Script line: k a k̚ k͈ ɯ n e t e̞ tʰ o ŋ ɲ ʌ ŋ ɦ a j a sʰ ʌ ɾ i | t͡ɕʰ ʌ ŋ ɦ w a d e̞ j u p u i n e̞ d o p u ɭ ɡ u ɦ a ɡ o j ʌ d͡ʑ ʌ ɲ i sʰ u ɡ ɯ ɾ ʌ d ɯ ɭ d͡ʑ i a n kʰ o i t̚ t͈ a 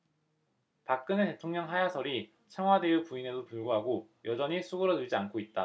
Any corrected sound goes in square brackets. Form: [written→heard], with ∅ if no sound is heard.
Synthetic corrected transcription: [k→p] a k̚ k͈ ɯ n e t e̞ tʰ o ŋ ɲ ʌ ŋ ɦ a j a sʰ ʌ ɾ i | t͡ɕʰ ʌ ŋ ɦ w a d e̞ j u p u i n e̞ d o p u ɭ ɡ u ɦ a ɡ o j ʌ d͡ʑ ʌ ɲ i sʰ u ɡ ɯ ɾ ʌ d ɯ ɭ d͡ʑ i a n kʰ o i t̚ t͈ a